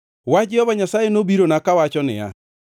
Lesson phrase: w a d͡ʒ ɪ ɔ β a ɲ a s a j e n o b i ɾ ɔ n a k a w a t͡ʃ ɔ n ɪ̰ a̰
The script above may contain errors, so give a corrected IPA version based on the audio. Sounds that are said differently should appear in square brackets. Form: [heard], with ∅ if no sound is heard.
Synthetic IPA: w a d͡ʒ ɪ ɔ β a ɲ a s a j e n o b i ɾ [o] n a k a w a t͡ʃ ɔ n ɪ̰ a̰